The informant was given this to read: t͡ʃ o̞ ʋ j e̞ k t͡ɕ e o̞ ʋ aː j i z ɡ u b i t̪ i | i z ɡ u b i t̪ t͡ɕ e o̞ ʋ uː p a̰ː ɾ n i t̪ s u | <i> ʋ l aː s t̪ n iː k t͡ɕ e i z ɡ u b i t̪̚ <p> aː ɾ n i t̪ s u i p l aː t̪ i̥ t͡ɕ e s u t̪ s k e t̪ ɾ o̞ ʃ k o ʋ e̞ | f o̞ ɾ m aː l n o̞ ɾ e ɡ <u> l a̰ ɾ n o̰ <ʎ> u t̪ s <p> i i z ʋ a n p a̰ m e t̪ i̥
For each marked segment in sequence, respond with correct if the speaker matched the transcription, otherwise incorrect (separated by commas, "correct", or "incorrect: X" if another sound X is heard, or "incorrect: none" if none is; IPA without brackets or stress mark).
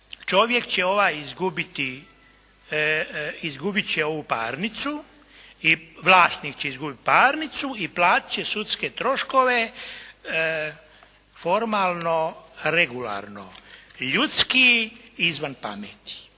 correct, correct, correct, correct, incorrect: k